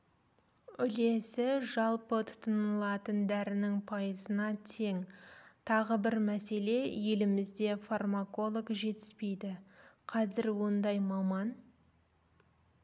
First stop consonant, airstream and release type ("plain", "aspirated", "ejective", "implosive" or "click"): plain